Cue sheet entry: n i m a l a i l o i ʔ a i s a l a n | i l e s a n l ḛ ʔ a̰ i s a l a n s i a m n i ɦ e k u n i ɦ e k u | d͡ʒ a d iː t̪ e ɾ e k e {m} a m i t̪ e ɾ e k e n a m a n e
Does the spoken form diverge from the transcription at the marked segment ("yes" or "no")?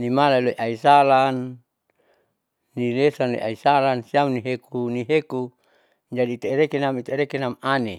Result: yes